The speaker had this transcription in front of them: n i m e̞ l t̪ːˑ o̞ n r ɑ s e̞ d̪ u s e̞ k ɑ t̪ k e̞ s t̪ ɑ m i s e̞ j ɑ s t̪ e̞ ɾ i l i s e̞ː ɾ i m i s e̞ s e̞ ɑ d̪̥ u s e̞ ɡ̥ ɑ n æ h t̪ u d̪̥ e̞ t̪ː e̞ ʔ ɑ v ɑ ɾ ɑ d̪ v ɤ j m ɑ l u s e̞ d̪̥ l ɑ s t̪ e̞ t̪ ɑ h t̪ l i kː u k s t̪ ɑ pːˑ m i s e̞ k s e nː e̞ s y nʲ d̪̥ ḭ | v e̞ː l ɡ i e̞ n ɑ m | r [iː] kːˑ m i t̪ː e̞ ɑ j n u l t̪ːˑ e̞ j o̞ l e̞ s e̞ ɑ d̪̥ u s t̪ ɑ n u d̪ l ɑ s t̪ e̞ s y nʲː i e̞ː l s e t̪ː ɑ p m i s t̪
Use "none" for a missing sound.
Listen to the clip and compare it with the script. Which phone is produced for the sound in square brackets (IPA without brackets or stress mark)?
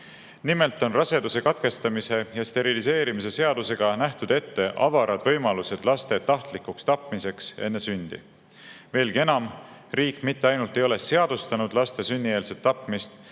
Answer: iː